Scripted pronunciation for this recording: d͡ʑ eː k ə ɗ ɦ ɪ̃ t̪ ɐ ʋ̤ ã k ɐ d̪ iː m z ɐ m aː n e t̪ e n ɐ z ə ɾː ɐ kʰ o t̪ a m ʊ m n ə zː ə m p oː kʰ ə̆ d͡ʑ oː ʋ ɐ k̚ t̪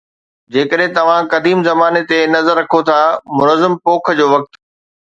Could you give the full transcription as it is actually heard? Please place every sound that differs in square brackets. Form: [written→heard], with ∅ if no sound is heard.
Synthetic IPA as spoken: d͡ʑ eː k ə ɗ ɦ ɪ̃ t̪ ɐ ʋ̤ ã k ɐ d̪ iː m z ɐ m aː n e t̪ e n ɐ z ə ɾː ɐ kʰ o [t̪→t̪ʰ] a m ʊ [m→∅] n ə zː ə m p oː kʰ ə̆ d͡ʑ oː ʋ ɐ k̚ t̪